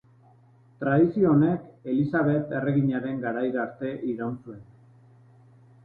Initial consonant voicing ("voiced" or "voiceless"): voiceless